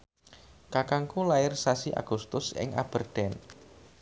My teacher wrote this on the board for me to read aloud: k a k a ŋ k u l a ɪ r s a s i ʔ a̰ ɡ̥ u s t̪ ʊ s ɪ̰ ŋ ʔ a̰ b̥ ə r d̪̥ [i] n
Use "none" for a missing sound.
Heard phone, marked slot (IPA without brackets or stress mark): ɛ